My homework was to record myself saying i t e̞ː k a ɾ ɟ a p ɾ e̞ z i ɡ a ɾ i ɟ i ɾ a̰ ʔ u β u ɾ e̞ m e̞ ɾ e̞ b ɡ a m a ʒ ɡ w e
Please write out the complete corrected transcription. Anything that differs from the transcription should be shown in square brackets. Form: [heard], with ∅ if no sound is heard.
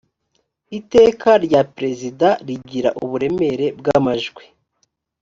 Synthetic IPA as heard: i t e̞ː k a ɾ ɟ a p ɾ e̞ z i [d] a ɾ i ɟ i ɾ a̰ ʔ u β u ɾ e̞ m e̞ ɾ e̞ b ɡ a m a ʒ ɡ w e